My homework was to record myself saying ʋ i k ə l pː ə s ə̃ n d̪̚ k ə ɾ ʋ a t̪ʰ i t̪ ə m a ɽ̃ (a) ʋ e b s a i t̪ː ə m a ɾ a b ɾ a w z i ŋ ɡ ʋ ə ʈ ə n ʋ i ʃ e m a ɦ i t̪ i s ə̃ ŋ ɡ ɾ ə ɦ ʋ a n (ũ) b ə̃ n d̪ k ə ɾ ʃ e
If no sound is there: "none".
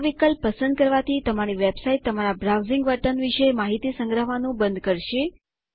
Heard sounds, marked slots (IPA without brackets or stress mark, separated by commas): i, ũ